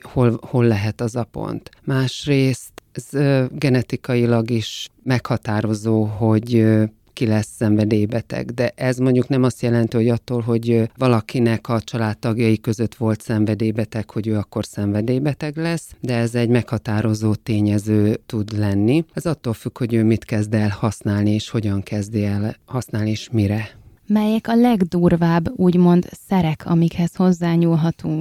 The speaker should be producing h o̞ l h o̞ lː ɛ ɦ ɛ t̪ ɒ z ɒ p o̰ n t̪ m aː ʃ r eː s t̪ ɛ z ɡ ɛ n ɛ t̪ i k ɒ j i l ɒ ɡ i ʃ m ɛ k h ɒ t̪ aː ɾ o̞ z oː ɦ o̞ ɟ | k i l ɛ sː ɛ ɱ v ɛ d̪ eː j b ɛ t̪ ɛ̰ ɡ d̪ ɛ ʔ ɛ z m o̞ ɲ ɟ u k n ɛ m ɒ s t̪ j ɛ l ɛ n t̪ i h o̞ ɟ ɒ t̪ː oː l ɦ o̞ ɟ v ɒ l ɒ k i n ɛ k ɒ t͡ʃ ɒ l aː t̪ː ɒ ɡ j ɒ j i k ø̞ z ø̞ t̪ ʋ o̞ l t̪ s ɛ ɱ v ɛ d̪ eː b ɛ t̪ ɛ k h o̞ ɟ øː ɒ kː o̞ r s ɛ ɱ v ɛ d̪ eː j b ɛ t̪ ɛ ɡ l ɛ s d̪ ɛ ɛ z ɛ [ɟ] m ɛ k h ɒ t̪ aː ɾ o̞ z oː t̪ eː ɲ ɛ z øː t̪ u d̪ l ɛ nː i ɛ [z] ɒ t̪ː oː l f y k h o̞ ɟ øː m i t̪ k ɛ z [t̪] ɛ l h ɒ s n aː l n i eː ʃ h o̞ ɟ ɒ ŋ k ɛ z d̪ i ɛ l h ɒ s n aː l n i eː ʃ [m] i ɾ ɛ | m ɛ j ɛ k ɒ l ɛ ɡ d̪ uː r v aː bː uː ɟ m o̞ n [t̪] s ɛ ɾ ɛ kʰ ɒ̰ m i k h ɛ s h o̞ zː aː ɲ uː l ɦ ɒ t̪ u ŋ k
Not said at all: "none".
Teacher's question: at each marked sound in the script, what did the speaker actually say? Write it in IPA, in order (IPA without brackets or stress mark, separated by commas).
ɟ, z, d̪, m, d̪